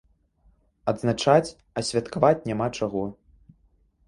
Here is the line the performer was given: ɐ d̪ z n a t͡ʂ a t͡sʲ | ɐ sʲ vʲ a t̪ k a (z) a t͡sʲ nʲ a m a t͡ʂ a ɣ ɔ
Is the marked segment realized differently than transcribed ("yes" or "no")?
yes